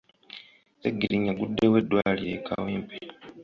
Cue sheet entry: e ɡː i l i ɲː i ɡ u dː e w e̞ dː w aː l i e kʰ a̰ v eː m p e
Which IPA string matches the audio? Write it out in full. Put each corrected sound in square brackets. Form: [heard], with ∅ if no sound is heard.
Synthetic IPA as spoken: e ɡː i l i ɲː [a] ɡ u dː e w e̞ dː w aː l i e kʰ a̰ [w] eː m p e

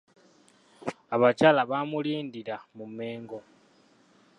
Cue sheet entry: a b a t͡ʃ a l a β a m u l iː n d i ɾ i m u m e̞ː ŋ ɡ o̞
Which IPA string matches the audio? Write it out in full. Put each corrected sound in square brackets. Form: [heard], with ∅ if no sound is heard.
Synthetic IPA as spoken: a [β] a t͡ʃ a l a β a m u l iː n d i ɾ [a] m u m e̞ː ŋ ɡ o̞

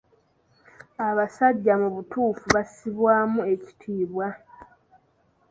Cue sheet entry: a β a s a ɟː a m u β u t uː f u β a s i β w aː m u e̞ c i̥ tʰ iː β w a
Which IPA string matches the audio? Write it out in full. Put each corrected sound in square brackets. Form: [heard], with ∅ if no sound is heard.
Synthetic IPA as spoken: a β a s a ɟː a m u β u t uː f u β a s i β w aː m u e̞ c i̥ tʰ iː β w a

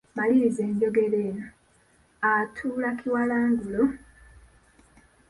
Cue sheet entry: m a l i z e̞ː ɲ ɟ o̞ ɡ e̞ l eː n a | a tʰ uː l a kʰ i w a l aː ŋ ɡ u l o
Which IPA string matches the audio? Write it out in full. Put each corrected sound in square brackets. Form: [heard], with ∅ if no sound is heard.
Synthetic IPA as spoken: m a l i z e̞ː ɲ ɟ o̞ ɡ e̞ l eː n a | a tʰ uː l a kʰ i w a l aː ŋ ɡ u l o

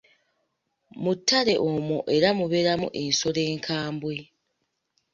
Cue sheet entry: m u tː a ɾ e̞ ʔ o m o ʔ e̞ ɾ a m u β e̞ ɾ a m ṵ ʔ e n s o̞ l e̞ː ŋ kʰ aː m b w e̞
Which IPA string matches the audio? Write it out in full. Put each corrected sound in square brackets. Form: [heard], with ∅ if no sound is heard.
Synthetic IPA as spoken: m u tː a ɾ e̞ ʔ o m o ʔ e̞ ɾ a m u β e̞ ɾ a m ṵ ʔ e n s o̞ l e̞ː ŋ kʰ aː m b w e̞

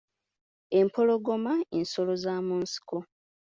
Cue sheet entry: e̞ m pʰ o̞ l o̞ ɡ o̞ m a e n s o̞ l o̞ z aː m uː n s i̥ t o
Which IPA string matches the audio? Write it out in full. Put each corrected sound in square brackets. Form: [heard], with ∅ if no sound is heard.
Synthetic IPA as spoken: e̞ m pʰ o̞ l o̞ ɡ o̞ m a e n s o̞ l o̞ z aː m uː n s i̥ [k] o

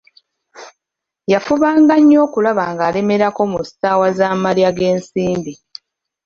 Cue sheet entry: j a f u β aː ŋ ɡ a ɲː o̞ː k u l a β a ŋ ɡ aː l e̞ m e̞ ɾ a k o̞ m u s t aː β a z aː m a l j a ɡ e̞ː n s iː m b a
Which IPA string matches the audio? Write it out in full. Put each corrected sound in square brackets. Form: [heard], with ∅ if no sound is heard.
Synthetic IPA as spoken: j a f u β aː ŋ ɡ a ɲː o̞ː k u l a β a ŋ ɡ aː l e̞ m e̞ ɾ a k o̞ m u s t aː [w] a z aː m a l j a ɡ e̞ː n s iː m b [i]

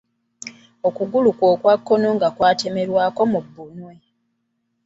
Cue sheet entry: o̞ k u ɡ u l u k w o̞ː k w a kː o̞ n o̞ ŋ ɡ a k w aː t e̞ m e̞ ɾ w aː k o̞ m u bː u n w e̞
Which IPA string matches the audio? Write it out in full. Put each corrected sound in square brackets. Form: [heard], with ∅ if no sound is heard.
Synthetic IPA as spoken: o̞ k u ɡ u l u k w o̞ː k w a kː o̞ n o̞ ŋ ɡ a k w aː t e̞ m e̞ ɾ w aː k o̞ m u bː u n w e̞

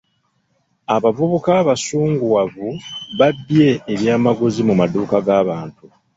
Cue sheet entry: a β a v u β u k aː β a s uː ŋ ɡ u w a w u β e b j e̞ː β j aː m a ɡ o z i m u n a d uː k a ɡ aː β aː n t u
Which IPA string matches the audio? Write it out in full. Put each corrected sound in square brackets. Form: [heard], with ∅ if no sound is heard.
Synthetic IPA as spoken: a β a v u β u k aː β a s uː ŋ ɡ u w a [v] u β [a] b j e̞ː β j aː m a ɡ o z i m u [m] a d uː k a ɡ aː β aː n t u

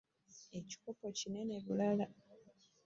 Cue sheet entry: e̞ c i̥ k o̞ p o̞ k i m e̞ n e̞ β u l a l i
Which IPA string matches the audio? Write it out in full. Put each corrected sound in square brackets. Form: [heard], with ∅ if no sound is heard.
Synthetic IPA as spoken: e̞ c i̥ k o̞ p o̞ [c] i [n] e̞ n e̞ β u l a l [a]

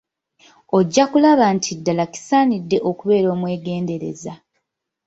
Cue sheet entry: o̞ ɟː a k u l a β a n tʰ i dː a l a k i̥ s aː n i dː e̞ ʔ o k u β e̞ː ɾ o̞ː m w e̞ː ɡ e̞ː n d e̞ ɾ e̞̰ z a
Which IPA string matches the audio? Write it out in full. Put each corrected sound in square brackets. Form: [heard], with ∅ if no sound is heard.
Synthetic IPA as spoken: o̞ ɟː a k u l a β a n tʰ i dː a l a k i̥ s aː n i dː e̞ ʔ o k u β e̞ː ɾ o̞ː m w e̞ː ɡ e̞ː n d e̞ ɾ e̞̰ z a

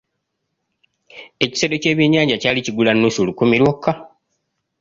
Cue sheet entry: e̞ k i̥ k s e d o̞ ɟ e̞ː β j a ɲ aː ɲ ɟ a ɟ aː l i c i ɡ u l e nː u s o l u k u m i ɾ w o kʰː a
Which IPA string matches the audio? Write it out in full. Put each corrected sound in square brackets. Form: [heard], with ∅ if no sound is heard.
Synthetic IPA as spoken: e̞ [c] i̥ [∅] s e d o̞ [c] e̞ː β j [e] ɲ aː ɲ ɟ a [c] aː l i c i ɡ u l [a] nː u s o l u k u m i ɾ w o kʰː a

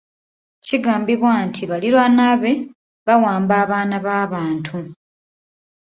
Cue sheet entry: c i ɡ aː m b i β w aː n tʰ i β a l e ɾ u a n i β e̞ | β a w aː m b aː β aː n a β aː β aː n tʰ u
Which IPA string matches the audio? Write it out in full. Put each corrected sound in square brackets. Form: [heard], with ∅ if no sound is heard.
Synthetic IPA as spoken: c i ɡ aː m b i β w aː n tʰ i β a l [i] ɾ [w] a n [a] β e̞ | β a w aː m b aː β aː n a β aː β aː n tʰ u

